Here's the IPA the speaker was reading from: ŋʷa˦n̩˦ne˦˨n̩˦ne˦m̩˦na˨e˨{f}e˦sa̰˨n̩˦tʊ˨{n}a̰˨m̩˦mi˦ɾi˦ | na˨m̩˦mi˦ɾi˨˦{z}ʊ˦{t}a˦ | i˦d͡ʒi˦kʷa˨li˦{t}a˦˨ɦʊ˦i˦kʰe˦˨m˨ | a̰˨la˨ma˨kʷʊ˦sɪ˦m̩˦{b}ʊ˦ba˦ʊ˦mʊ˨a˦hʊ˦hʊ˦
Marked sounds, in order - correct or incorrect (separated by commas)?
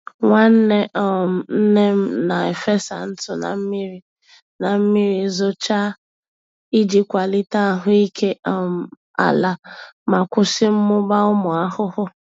correct, correct, correct, incorrect, correct, incorrect